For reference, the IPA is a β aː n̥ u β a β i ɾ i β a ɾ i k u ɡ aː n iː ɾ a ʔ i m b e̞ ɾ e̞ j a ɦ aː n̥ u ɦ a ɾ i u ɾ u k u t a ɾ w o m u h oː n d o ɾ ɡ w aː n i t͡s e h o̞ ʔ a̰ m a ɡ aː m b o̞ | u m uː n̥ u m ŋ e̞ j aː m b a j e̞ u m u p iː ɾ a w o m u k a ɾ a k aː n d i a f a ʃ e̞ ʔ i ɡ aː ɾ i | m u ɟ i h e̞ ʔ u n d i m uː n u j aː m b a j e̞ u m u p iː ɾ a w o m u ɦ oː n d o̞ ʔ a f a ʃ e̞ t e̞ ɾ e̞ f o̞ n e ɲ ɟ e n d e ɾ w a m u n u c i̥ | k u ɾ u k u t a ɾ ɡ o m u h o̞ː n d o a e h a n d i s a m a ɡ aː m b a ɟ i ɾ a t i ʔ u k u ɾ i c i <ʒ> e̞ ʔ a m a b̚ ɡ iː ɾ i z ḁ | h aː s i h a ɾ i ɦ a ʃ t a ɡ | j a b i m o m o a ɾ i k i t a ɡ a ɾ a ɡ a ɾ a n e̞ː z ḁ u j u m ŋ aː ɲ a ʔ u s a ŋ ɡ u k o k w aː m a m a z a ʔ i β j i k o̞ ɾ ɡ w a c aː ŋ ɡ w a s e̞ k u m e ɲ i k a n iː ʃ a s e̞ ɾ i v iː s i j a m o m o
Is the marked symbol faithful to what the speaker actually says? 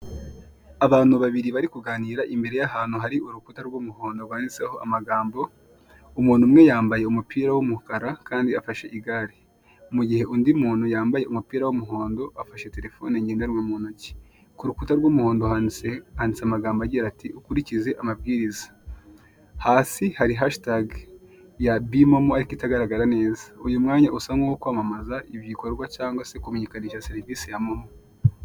no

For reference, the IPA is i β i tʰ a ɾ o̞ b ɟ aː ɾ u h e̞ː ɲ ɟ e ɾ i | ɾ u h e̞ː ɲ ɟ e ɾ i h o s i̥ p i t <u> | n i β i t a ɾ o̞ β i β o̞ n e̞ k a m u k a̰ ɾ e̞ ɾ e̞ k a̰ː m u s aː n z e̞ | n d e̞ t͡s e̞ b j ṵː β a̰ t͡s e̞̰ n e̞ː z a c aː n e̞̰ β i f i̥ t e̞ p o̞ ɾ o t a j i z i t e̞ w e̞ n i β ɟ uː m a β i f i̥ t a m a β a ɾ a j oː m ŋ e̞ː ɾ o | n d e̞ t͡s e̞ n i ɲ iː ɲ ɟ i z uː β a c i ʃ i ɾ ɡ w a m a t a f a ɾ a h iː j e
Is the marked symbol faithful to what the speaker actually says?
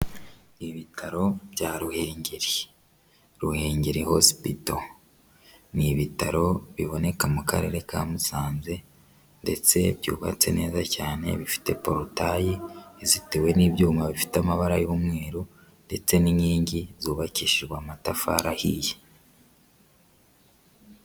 no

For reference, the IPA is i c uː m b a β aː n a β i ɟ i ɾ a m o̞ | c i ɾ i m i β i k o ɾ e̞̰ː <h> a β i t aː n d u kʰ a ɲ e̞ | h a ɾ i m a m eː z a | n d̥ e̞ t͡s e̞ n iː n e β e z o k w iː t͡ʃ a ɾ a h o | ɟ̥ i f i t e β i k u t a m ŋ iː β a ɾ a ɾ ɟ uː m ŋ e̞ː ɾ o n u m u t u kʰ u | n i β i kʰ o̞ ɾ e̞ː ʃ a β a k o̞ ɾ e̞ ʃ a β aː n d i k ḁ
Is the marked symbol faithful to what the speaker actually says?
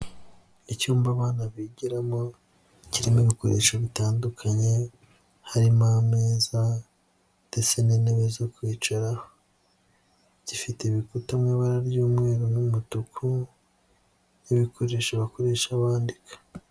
no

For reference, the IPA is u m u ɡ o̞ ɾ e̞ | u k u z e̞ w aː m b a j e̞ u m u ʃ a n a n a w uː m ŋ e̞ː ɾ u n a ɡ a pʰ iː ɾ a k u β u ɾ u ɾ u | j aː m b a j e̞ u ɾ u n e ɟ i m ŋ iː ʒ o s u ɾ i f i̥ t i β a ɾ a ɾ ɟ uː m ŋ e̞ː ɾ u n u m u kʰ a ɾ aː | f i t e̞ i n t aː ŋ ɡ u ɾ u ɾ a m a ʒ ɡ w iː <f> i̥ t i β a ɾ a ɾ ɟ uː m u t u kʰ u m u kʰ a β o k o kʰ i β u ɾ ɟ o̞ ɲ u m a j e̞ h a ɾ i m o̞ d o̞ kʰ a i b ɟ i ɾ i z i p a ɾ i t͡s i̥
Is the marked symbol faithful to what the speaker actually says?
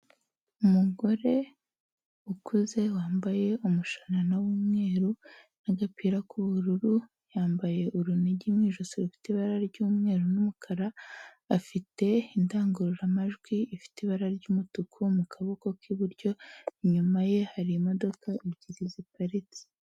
yes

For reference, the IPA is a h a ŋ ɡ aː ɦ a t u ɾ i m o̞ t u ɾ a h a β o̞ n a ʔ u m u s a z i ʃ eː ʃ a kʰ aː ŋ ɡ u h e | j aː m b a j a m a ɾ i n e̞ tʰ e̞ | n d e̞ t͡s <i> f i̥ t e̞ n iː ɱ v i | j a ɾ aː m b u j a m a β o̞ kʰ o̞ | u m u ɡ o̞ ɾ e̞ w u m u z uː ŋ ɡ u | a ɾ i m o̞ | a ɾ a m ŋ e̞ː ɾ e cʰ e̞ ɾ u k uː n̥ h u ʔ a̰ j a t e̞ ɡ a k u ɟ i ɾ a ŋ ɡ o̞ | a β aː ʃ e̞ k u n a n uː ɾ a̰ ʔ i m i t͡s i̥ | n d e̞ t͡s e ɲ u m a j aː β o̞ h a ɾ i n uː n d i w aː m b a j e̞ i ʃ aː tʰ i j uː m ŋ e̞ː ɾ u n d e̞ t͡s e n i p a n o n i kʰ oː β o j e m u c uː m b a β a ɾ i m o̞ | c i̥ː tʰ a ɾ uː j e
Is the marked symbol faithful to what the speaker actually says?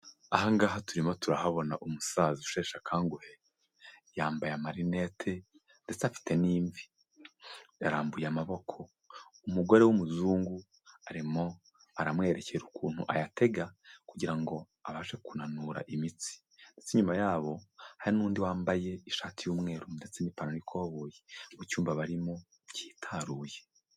no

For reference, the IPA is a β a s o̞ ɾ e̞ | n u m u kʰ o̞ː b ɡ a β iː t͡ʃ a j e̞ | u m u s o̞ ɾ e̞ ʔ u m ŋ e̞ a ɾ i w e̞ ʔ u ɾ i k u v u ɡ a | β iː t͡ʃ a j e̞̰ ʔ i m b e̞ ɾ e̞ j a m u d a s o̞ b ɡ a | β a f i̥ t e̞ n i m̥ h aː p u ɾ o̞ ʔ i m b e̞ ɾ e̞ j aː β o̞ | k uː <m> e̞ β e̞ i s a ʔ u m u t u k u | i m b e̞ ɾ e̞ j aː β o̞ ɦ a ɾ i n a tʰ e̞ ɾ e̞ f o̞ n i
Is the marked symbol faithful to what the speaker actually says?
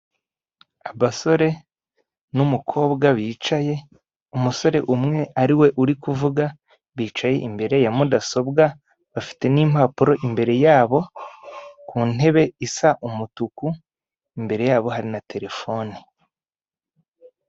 no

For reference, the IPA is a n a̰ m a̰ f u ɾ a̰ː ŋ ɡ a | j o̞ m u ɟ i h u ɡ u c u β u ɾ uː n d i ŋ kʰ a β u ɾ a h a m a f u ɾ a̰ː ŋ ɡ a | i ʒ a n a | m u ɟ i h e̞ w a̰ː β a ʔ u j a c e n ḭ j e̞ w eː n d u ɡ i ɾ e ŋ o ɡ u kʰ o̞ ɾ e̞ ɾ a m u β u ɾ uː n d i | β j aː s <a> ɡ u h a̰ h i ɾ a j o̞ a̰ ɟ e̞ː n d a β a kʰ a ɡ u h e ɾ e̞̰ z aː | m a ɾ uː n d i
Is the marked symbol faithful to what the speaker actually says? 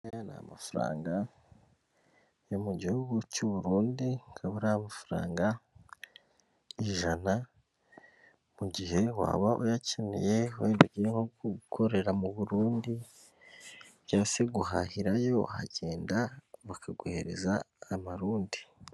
no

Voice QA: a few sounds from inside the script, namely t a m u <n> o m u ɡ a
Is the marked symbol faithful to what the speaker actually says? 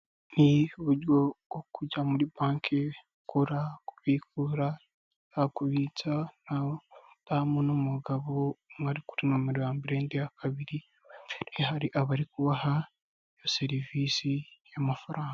yes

